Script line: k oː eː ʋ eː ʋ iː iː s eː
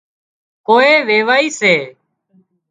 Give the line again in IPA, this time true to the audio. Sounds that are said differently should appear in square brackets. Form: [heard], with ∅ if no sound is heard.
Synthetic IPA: k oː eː ʋ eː ʋ [aː] iː s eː